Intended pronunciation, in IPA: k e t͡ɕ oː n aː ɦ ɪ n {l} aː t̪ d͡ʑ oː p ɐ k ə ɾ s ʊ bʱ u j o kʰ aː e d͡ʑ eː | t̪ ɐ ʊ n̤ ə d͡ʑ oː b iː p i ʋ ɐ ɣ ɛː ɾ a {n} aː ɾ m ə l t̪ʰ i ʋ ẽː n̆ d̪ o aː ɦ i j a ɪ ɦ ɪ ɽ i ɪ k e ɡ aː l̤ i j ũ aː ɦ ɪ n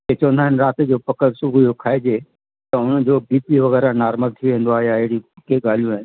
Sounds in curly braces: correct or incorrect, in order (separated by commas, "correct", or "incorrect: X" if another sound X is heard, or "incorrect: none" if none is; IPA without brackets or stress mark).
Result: incorrect: ɾ, correct